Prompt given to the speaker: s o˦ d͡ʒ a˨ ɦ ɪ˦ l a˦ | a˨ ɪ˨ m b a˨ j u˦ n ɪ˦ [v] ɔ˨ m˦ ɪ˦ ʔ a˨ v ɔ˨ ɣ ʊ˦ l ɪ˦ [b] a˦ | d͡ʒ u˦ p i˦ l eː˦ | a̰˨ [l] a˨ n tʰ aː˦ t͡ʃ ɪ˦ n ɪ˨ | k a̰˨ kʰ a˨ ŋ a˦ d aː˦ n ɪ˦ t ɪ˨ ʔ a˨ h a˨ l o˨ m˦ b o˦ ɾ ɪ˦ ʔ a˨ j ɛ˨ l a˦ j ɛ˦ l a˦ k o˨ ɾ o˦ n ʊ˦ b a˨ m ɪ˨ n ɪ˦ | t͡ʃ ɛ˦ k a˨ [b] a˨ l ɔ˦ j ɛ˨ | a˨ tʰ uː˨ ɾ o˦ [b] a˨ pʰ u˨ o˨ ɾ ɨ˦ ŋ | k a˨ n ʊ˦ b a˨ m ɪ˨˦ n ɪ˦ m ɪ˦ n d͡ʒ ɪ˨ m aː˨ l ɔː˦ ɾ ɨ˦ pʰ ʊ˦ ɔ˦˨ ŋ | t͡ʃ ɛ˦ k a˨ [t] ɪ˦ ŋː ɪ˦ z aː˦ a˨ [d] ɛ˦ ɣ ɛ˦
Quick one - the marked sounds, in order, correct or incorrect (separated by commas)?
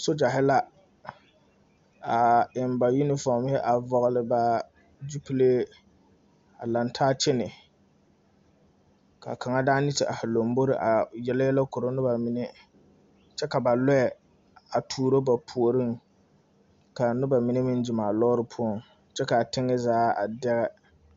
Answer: incorrect, correct, correct, correct, correct, correct, correct